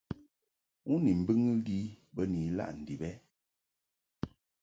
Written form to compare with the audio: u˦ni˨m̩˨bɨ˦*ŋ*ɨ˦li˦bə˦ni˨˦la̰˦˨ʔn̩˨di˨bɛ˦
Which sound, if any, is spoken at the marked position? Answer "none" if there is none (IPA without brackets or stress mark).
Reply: ŋ